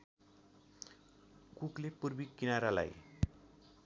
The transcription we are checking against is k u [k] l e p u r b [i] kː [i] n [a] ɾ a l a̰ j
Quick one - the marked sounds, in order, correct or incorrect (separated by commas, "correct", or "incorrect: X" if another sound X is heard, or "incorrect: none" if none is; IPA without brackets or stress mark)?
correct, correct, correct, correct